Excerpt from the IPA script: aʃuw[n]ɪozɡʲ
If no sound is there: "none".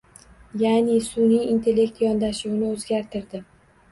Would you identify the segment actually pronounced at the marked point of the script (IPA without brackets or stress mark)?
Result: n